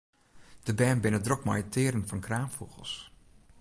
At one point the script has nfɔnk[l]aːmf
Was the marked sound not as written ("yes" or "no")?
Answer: yes